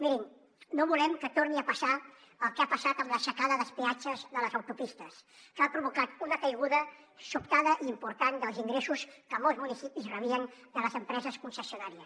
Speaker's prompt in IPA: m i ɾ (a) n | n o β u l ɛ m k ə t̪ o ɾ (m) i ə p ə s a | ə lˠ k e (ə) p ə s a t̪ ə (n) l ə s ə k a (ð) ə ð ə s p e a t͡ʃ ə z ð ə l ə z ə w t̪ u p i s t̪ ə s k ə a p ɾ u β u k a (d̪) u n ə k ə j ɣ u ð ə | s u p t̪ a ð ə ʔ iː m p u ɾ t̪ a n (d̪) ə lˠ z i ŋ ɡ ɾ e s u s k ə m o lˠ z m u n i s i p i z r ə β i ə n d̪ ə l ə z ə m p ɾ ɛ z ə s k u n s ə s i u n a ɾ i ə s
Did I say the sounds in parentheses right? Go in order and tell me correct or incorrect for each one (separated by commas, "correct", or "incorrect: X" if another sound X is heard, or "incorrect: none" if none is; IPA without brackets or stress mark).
incorrect: i, incorrect: n, incorrect: a, incorrect: m, correct, incorrect: t̪, correct